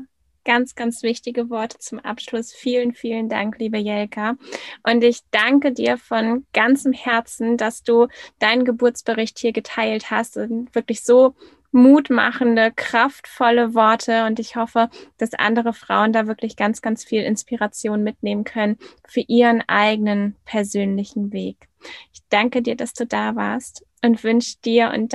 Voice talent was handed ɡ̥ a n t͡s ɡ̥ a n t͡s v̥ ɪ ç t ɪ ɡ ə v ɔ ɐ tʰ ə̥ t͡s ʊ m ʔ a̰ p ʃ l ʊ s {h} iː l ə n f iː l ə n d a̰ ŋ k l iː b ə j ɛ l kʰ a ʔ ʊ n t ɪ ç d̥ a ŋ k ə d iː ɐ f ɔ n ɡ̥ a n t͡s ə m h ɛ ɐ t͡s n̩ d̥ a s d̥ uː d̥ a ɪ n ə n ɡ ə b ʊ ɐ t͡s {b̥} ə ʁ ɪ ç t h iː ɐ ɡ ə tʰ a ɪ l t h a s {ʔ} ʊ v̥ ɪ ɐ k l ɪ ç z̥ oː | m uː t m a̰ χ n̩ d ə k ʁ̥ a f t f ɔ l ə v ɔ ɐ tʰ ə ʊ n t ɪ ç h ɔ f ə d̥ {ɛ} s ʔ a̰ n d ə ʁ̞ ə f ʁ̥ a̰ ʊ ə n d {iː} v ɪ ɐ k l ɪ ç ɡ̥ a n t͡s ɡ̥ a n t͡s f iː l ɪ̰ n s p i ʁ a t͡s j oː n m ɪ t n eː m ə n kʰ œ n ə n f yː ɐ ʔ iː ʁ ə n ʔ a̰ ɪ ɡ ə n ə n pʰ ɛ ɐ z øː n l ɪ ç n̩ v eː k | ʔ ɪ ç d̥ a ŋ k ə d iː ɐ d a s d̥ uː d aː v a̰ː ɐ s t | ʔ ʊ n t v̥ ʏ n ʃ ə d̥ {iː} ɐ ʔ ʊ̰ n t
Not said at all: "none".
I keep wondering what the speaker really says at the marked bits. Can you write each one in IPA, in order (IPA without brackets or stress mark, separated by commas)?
f, b̥, t, a, aː, iː